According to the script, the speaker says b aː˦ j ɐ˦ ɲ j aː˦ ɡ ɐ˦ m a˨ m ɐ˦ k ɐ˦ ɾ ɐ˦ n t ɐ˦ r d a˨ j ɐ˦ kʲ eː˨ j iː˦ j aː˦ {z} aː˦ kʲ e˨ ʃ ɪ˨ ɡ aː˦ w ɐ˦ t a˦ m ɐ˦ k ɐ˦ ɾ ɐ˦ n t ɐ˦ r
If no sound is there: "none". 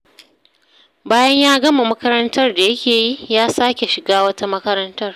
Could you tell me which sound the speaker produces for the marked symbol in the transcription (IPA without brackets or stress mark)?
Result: s